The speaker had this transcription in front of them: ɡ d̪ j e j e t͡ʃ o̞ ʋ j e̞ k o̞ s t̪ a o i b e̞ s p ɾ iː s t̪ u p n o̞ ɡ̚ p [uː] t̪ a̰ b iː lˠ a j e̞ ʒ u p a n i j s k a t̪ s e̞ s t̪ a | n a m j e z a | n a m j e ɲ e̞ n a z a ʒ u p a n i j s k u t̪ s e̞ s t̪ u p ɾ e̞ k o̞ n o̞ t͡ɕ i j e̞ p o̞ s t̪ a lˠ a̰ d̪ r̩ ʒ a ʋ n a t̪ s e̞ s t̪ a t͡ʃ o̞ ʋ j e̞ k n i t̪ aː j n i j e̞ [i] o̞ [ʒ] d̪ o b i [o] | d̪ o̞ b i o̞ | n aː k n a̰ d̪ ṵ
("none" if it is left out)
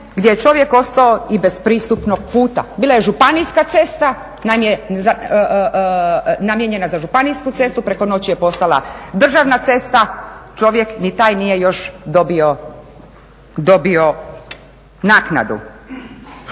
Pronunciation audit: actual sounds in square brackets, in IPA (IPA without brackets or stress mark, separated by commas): uː, j, ʃ, o